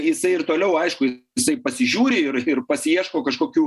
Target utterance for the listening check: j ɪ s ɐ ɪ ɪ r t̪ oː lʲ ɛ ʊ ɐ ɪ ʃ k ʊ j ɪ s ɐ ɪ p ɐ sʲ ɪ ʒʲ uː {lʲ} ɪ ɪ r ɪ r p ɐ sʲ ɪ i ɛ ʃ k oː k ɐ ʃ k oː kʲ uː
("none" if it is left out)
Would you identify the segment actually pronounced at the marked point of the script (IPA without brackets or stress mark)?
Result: ɾʲ